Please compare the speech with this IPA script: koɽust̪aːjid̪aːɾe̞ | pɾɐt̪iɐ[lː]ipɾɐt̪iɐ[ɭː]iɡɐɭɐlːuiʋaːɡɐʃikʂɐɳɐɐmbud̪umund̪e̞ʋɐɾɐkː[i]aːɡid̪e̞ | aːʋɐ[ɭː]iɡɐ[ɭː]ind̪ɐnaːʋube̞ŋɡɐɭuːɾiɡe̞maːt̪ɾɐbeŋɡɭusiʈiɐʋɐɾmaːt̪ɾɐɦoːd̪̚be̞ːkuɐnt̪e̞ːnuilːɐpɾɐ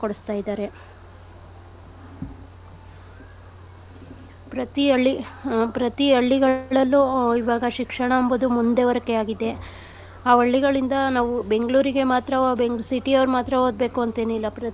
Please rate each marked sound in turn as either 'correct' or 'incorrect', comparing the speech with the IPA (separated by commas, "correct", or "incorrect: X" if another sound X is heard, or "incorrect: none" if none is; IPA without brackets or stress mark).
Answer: incorrect: ɭː, correct, incorrect: e, correct, incorrect: ɭ